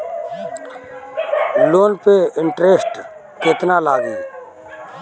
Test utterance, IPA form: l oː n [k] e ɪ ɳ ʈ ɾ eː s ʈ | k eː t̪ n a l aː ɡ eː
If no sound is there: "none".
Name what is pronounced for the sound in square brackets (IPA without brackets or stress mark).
p